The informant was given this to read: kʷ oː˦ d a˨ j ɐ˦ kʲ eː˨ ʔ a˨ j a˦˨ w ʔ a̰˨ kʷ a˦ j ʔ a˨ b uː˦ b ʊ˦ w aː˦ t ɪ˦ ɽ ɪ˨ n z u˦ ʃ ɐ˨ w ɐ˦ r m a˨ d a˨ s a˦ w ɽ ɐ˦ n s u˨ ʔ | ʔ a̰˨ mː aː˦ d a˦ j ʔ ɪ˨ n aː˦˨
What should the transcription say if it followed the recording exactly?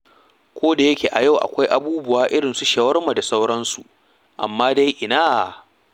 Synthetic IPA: kʷ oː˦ d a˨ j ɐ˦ kʲ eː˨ ʔ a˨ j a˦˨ w ʔ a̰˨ kʷ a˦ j ʔ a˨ b uː˦ b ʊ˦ w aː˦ ʔ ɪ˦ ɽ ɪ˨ n s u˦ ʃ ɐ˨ w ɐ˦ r m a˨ d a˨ s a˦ w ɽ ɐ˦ n s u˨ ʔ | ʔ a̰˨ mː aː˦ d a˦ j ʔ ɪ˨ n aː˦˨